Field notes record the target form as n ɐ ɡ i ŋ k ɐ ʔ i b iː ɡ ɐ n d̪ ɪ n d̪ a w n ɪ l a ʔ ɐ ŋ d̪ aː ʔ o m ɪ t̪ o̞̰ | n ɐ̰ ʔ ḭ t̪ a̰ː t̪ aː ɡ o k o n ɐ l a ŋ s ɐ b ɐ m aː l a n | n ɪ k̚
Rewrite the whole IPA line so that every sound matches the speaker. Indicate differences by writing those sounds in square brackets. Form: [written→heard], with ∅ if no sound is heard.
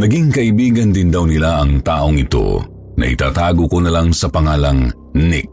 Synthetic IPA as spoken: n ɐ ɡ i ŋ k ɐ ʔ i b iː ɡ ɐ n d̪ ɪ n d̪ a w n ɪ l a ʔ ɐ ŋ [d̪→t̪] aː ʔ o [m→ŋ] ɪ t̪ o̞̰ | n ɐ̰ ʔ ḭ t̪ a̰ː t̪ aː ɡ o k o n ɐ l a ŋ s ɐ [b→p] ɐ [m→ŋ] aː l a [n→ŋ] | n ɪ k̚